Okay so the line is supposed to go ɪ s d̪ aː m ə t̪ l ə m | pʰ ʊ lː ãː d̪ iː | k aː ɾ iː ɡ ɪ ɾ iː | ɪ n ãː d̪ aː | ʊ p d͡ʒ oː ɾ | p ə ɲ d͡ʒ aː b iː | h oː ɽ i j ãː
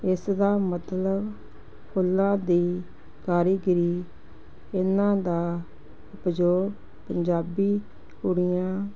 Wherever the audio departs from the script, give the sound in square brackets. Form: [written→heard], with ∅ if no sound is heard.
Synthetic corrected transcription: ɪ s d̪ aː m ə t̪ l ə [m→b] | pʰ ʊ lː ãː d̪ iː | k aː ɾ iː ɡ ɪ ɾ iː | ɪ n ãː d̪ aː | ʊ p d͡ʒ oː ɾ | p ə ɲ d͡ʒ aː b iː | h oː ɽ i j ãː